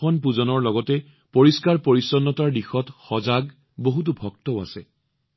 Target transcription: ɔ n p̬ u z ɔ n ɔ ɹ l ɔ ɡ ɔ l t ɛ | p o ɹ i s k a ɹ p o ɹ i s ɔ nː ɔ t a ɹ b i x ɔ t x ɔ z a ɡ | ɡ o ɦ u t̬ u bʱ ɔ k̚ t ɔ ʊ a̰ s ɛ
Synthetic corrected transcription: ɔ n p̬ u z ɔ n ɔ ɹ l ɔ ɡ ɔ t ɛ | p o ɹ i s k a ɹ p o ɹ i s ɔ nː ɔ t a ɹ d i x ɔ t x ɔ z a ɡ | b o ɦ u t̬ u bʱ ɔ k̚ t ɔ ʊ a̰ s ɛ